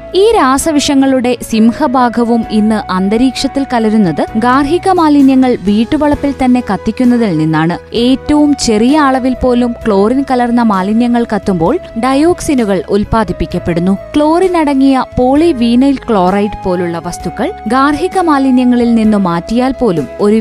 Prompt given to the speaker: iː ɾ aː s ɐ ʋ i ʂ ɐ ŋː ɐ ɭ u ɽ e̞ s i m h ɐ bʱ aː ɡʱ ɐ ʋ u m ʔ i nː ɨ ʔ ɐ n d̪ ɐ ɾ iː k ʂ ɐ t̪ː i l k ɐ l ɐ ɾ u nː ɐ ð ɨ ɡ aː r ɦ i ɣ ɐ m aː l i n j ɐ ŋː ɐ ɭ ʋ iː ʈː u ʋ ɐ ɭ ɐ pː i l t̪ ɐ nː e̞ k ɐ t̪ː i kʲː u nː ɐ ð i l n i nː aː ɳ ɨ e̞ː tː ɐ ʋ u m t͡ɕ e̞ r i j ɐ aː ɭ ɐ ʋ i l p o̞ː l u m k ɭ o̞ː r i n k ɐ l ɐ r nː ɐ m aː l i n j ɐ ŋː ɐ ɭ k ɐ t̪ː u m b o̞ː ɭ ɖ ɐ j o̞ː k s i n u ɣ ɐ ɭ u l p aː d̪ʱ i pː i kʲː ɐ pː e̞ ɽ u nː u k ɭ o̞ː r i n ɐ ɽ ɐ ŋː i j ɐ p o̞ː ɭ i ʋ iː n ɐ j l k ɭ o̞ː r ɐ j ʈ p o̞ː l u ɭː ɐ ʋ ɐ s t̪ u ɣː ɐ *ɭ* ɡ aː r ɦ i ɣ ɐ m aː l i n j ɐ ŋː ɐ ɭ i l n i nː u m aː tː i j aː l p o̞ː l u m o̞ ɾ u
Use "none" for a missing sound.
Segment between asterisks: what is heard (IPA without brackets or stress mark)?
ɭ